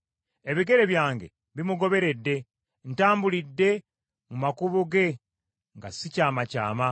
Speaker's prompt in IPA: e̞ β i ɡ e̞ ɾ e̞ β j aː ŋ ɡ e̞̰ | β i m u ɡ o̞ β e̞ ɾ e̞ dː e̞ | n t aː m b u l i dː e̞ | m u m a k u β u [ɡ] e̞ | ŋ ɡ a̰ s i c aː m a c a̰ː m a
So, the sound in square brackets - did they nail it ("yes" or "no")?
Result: yes